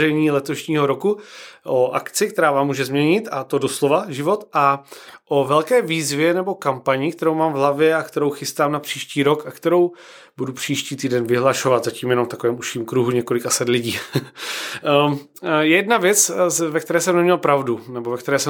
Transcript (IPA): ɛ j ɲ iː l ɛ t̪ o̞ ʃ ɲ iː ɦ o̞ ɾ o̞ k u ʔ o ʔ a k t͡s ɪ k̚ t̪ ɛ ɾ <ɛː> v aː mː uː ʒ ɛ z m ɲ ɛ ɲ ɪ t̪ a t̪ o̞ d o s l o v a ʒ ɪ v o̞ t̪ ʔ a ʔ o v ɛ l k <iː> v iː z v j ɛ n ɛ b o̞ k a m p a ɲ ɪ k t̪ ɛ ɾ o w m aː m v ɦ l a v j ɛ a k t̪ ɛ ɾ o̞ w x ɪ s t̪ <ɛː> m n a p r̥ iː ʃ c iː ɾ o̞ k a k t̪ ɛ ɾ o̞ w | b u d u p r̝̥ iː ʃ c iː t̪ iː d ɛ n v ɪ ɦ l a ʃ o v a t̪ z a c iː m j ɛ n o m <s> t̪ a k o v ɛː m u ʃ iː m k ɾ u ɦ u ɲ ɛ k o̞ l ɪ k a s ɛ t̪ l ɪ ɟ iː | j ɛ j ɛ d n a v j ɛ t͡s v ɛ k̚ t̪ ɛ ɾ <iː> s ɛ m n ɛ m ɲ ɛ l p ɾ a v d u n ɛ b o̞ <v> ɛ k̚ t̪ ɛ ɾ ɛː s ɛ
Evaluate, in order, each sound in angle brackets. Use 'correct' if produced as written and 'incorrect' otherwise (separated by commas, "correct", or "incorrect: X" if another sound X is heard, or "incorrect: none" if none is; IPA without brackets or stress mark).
incorrect: aː, incorrect: ɛː, incorrect: aː, incorrect: f, incorrect: ɛː, correct